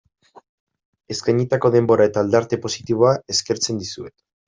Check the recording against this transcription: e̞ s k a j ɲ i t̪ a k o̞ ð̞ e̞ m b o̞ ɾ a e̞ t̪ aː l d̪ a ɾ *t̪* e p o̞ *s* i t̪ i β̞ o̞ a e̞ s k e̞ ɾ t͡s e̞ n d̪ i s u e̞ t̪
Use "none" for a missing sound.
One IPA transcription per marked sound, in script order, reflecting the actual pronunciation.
t̪, s

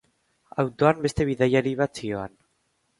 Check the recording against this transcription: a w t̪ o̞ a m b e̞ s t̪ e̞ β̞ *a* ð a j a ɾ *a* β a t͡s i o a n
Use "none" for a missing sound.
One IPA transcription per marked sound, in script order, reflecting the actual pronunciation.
i, i

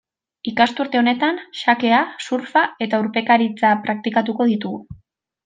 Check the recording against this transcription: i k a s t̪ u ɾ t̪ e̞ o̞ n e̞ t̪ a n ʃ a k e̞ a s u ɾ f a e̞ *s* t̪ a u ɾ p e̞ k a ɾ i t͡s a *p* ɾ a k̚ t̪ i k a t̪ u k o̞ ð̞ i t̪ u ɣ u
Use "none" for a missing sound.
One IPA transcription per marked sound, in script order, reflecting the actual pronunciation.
none, p

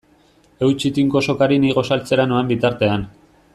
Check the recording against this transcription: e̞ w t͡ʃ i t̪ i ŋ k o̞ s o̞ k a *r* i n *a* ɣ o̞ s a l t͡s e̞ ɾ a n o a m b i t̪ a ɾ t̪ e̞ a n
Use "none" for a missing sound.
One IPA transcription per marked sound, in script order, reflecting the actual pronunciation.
ɾ, i

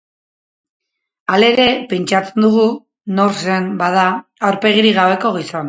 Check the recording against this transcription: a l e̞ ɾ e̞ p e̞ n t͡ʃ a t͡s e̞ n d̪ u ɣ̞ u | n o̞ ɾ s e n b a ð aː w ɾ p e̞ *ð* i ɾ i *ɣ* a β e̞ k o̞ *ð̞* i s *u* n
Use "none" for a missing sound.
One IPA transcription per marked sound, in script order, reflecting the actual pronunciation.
ɣ, ɣ, ɣ̞, o

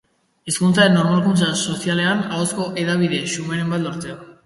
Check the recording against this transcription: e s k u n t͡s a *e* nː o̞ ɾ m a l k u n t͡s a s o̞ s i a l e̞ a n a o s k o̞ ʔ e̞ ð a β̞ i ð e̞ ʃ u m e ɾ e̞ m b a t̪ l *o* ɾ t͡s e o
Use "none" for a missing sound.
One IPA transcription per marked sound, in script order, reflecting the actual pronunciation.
e, o

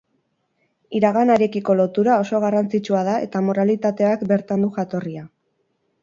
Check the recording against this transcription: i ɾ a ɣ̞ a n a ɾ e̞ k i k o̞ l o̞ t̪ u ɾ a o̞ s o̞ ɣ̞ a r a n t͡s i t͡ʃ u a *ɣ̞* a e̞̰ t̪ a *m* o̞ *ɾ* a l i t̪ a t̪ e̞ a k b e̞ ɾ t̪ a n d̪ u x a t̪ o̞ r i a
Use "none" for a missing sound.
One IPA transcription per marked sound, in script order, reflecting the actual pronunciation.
ð̞, m, ɾ

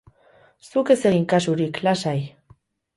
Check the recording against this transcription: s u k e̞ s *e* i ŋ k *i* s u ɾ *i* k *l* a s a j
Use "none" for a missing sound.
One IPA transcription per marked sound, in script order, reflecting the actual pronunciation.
e, a, i, l

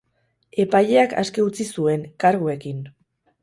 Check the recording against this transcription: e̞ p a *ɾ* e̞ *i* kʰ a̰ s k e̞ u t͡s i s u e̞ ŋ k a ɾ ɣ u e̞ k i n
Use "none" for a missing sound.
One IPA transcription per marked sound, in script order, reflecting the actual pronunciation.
ʎ, a

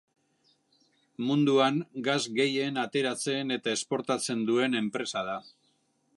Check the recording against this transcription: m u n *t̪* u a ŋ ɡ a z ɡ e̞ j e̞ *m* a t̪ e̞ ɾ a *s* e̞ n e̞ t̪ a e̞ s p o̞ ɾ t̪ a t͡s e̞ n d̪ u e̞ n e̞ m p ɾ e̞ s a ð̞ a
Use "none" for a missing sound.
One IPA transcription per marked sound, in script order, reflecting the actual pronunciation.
d̪, n, t͡s

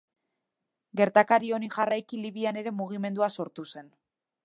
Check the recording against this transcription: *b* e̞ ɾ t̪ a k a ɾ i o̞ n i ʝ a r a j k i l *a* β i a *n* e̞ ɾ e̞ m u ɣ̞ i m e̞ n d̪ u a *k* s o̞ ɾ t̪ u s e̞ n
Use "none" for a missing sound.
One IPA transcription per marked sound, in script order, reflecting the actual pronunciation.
ɡ, i, n, none

